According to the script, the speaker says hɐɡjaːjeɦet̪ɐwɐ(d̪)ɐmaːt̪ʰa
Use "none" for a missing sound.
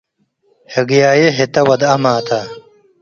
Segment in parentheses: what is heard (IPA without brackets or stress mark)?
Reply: d̪